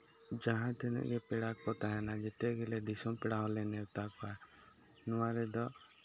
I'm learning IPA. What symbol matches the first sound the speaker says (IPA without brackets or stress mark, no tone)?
d͡ʒ